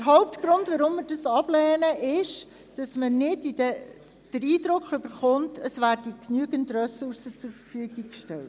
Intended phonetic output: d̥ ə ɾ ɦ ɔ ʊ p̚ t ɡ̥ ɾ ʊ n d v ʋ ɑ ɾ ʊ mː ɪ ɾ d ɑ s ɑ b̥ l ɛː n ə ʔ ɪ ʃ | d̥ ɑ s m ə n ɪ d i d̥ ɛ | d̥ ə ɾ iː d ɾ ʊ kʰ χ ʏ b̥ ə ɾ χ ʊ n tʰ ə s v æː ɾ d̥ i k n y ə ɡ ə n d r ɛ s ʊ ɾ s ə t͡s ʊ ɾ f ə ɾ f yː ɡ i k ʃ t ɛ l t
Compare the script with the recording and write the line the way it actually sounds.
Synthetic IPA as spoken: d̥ ə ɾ ɦ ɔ ʊ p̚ t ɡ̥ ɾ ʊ n d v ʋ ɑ ɾ ʊ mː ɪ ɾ d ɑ s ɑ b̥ l ɛː n ə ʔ ɪ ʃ | d̥ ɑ s m ə n ɪ d i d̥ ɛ | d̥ ə ɾ iː d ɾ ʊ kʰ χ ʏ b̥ ə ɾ χ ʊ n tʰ ə s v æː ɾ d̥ i k n y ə ɡ ə n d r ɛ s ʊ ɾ s ə t͡s ʊ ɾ f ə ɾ f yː ɡ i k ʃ t ɛ l t